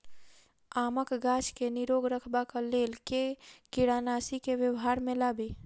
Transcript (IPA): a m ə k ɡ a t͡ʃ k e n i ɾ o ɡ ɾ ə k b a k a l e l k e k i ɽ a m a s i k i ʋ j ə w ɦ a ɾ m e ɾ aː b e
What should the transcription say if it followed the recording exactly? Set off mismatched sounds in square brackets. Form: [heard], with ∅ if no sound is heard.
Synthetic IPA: a m ə k ɡ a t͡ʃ k e n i ɾ o ɡ ɾ ə [kʰ] b a k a l e l k e k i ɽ a [n] a s i k [e] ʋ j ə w ɦ a ɾ m e [l] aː b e

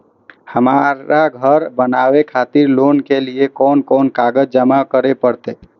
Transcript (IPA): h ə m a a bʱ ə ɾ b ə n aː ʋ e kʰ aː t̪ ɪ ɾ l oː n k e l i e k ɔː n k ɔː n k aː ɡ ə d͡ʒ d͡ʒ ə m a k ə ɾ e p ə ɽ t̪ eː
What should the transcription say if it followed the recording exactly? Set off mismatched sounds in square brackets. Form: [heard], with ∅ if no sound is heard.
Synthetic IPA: h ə m a a [ɡʱ] ə ɾ b ə n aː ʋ e kʰ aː t̪ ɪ ɾ l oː n k e l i e k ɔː n k ɔː n k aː ɡ ə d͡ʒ d͡ʒ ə m a k ə ɾ e p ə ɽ t̪ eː

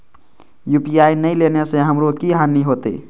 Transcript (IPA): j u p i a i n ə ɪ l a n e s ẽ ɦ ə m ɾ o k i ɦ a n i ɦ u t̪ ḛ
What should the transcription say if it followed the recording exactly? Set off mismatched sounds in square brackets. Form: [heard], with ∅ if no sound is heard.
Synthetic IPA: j u p i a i n ə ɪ l [e] n e s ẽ ɦ ə m ɾ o k i ɦ a n i ɦ [o] t̪ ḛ

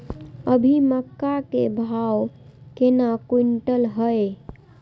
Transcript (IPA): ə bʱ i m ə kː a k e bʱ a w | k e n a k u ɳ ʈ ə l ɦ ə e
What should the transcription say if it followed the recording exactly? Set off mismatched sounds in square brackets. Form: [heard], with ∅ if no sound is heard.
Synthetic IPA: ə bʱ i m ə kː a k e bʱ a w | k e n a k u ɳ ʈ ə l ɦ ə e

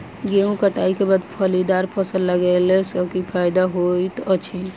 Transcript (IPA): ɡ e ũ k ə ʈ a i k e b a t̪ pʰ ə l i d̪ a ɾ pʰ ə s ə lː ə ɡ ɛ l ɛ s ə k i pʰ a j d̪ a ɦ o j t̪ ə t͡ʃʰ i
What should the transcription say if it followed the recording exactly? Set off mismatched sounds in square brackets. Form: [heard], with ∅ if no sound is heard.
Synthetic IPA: ɡ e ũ k ə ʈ a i k e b a [d̪] pʰ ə l i d̪ a ɾ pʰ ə s ə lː ə ɡ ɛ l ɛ s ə k i pʰ a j d̪ a ɦ o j t̪ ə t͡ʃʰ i

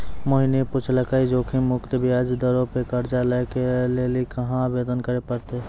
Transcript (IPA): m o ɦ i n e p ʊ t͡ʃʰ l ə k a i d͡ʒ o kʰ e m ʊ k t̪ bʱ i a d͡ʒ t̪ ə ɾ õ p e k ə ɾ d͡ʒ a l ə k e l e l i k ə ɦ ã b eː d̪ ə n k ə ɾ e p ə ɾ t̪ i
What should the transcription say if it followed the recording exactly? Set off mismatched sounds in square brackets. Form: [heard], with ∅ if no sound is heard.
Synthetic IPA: m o ɦ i n e p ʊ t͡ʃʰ l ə k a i d͡ʒ o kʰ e m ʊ k t̪ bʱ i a d͡ʒ [d̪] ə ɾ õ p e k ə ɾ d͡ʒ a l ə k e l e l i k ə ɦ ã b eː d̪ ə n k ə ɾ e p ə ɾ t̪ [e]

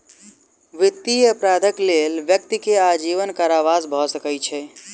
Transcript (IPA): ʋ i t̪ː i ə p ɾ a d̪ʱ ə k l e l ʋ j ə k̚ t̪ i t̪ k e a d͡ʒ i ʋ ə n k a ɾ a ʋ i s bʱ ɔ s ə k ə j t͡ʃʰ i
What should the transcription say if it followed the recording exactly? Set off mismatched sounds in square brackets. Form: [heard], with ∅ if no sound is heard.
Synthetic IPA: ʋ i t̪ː i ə p ɾ a d̪ʱ ə k l e l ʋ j ə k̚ t̪ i [∅] k e a d͡ʒ i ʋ ə n k a ɾ a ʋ [a] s bʱ ɔ s ə k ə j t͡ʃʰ [ɛ]

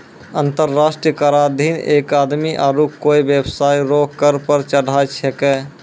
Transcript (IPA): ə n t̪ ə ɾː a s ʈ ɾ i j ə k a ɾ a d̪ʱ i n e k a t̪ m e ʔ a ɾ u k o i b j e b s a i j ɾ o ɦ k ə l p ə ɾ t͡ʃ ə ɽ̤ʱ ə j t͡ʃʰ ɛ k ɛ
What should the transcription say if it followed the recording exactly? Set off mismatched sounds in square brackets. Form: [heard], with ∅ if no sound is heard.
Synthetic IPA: ə n t̪ ə ɾː a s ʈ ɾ i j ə k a ɾ a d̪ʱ i n e k a [d̪] m [i] ʔ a ɾ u k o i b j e b s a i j ɾ o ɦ k ə [ɾ] p ə ɾ t͡ʃ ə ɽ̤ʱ [a] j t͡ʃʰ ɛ k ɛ

